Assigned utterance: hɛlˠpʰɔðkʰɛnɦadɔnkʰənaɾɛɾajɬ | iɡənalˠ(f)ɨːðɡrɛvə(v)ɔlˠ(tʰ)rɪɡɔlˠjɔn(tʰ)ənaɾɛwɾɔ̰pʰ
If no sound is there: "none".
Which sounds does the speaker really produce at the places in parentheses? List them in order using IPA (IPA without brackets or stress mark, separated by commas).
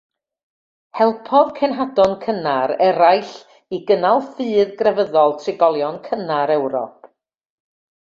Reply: f, ð, tʰ, kʰ